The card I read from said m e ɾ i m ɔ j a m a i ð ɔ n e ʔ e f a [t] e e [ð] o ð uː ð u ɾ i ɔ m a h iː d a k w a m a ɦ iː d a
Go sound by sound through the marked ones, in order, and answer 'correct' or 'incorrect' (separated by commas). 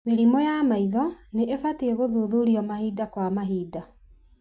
correct, incorrect